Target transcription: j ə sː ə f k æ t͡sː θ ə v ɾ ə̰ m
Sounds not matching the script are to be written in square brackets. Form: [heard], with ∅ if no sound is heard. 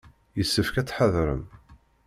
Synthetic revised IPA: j ə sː ə f k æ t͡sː [ħ] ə [ð] ɾ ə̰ m